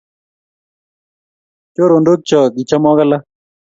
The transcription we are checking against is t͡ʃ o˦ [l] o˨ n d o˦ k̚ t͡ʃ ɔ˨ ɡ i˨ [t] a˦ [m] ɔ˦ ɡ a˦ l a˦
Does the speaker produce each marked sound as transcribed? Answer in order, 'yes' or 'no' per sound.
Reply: no, no, yes

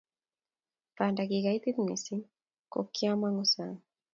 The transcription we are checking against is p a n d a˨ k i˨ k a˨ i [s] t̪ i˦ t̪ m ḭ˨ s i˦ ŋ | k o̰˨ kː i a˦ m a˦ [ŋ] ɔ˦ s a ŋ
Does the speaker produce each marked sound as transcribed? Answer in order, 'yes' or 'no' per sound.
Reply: no, yes

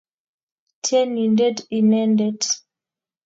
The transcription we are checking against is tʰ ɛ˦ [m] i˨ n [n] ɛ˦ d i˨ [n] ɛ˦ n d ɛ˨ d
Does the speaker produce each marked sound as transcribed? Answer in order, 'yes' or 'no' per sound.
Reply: no, no, yes

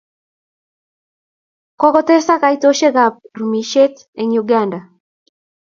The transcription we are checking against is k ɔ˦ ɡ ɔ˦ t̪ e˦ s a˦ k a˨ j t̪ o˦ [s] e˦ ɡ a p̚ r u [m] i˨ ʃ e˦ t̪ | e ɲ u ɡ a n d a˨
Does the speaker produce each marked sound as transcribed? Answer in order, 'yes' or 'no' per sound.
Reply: no, yes

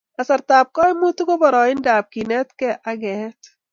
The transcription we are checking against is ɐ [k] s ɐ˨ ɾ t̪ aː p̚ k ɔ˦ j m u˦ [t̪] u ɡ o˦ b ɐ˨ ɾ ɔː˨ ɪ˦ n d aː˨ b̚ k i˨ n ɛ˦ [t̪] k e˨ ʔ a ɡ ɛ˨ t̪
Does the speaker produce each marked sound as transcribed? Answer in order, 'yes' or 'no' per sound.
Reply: no, yes, yes

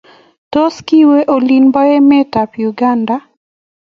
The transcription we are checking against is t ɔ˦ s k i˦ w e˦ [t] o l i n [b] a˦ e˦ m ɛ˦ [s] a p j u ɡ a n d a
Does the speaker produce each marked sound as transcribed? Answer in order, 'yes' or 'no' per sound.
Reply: no, yes, no

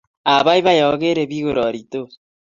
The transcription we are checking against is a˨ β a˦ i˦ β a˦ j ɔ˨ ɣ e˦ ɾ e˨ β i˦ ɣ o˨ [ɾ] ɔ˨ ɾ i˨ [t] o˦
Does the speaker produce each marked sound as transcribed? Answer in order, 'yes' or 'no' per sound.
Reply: yes, yes

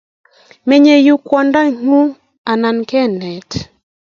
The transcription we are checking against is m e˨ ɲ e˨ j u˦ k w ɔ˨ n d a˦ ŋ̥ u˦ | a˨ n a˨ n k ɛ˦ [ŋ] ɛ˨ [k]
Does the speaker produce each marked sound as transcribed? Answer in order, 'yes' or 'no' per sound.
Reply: no, no

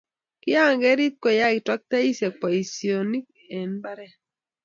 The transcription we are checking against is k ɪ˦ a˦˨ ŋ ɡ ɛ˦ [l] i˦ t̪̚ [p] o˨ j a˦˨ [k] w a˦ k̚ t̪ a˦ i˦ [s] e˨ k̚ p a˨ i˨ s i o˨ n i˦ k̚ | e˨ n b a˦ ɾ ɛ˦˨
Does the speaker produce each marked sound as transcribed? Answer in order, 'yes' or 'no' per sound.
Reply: no, no, no, yes

